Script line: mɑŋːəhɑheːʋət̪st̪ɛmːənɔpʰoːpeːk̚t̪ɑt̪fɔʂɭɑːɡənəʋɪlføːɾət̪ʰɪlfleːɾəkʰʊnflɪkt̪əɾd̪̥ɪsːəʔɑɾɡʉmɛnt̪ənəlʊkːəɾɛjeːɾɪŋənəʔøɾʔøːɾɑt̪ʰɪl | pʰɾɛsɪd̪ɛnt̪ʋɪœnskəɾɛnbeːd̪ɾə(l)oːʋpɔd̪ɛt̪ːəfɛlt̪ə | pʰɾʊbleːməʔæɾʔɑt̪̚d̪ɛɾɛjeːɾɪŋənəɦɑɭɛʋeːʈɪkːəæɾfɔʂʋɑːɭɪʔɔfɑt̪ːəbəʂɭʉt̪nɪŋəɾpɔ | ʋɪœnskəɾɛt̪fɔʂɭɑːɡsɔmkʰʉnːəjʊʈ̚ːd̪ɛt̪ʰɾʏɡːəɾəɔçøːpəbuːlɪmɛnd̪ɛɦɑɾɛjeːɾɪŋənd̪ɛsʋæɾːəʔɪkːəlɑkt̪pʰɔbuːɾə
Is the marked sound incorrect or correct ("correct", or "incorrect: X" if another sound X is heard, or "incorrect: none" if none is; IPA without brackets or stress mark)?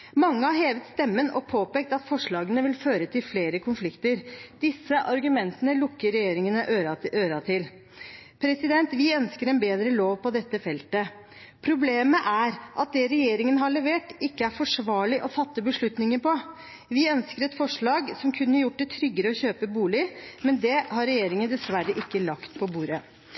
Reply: correct